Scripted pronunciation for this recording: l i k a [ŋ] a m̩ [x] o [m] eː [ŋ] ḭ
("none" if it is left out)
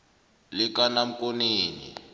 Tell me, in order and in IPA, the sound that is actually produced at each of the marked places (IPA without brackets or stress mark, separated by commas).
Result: n, k, n, n